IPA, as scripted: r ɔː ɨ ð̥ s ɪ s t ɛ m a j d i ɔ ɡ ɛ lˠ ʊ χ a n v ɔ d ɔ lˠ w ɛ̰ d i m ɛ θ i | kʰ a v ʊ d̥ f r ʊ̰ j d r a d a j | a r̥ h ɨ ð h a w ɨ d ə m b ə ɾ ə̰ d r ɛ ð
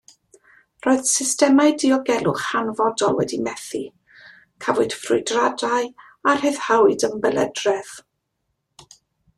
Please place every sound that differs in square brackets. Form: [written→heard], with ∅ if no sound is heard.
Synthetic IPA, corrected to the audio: r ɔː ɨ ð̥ s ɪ s t ɛ m a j d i ɔ ɡ ɛ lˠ ʊ χ a n v ɔ d ɔ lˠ w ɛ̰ d i m ɛ θ i | kʰ a v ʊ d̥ f r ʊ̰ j d r a d a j | a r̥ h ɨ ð h a w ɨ d ə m b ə [ɾ→l] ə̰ d r ɛ ð